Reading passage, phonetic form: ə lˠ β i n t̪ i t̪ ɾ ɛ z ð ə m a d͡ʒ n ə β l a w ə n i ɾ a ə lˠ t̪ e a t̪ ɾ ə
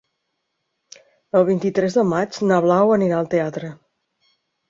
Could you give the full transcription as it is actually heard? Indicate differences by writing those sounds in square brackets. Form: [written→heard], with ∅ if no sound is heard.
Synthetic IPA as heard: ə lˠ β i n t̪ i t̪ ɾ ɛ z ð ə m a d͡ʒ n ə β l a w ə n i ɾ a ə lˠ t̪ e a t̪ ɾ ə